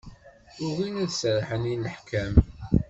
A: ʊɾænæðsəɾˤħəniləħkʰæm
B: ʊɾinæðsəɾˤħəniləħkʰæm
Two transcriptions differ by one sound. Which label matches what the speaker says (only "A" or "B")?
B